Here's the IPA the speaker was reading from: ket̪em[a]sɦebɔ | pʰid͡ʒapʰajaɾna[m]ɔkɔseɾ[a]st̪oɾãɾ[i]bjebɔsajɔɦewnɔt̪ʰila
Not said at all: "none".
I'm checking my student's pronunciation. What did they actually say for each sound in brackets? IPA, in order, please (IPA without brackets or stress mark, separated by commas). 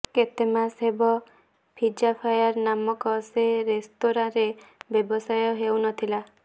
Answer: a, m, e, e